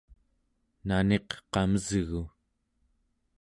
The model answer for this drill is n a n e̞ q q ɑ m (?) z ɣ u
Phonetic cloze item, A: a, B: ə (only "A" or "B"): B